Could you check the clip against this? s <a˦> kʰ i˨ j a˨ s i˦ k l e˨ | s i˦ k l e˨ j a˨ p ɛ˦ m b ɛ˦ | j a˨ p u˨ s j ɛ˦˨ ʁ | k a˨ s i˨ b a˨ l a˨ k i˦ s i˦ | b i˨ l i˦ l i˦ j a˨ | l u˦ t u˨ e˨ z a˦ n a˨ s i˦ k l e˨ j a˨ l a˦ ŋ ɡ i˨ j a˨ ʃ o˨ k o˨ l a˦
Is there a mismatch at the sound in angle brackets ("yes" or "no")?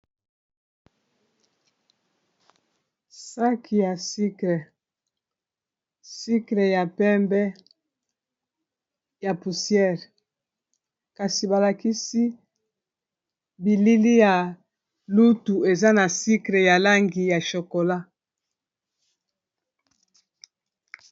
no